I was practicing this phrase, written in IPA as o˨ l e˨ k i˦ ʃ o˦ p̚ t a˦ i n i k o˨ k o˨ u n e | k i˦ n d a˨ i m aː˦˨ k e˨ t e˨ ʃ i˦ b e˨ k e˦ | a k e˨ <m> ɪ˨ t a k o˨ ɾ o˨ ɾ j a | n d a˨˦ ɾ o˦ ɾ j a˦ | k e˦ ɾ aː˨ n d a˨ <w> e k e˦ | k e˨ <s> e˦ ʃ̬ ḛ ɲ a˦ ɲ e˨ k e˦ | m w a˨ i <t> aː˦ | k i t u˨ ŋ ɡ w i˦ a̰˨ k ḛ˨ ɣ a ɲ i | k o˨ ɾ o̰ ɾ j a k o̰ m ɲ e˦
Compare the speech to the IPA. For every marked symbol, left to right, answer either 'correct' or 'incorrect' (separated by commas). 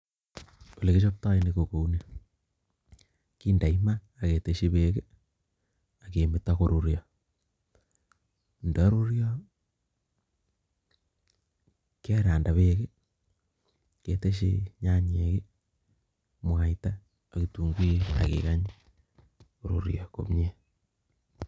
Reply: correct, incorrect, incorrect, correct